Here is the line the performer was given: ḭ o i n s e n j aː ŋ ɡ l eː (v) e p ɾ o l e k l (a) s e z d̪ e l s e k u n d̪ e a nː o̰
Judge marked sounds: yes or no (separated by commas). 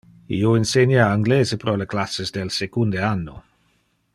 no, yes